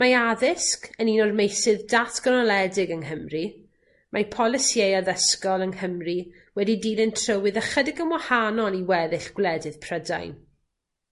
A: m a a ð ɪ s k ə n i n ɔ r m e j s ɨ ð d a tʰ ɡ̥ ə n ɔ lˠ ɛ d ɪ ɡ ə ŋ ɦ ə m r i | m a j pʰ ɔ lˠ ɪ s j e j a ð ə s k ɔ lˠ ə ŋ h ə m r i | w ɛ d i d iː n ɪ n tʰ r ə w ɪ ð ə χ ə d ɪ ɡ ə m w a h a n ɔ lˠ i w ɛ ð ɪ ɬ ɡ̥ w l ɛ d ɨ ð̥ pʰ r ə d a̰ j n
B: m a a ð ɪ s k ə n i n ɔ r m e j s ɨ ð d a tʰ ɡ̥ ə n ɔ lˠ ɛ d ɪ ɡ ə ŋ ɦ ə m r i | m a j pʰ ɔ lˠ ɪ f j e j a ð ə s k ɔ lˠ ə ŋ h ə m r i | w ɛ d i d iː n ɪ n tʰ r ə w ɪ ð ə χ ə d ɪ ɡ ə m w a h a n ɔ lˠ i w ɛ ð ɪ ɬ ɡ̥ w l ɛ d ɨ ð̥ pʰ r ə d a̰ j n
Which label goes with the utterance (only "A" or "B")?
A